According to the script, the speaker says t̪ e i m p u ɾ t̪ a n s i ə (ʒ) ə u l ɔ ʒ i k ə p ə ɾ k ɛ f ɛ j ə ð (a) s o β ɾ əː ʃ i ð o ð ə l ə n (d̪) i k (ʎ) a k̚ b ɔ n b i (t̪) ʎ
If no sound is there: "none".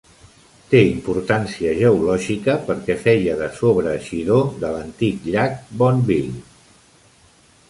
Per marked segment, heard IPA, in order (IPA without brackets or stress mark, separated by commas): ʒ, ə, t̪, ʎ, none